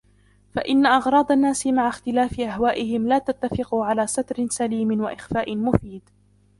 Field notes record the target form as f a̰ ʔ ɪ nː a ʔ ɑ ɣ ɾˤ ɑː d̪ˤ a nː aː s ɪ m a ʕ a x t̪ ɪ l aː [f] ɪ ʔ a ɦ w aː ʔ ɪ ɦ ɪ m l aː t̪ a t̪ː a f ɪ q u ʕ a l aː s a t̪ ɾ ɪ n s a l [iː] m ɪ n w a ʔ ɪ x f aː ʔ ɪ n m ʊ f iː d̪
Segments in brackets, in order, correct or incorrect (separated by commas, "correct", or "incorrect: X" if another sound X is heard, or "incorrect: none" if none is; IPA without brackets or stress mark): correct, correct